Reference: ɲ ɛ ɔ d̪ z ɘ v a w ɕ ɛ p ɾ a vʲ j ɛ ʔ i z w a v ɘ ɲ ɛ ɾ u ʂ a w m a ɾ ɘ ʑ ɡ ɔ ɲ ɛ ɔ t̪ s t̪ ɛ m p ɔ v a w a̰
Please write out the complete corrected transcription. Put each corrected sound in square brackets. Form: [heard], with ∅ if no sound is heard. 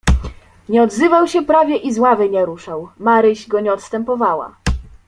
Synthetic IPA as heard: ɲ ɛ ɔ d̪ z ɘ v a w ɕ ɛ p ɾ a vʲ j ɛ ʔ i z w a v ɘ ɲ ɛ ɾ u ʂ a w m a ɾ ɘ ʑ ɡ ɔ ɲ ɛ ɔ t̪ s t̪ ɛ m p ɔ v a w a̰